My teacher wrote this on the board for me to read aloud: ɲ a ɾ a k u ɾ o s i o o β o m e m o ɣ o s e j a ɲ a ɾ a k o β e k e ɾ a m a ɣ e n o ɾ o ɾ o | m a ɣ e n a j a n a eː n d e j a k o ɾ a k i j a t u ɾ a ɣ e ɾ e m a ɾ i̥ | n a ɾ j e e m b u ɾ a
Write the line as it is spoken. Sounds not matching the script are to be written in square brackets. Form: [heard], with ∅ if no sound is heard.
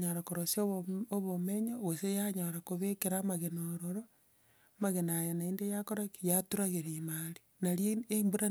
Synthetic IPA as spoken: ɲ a ɾ a k [o] ɾ o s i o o β o m e [ɲ] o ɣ o s e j a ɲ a ɾ a k o β e k e ɾ a m a ɣ e n o ɾ o ɾ o | m a ɣ e n a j a n a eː n d e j a k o ɾ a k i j a t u ɾ a ɣ e ɾ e m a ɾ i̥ | n a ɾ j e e m b u ɾ a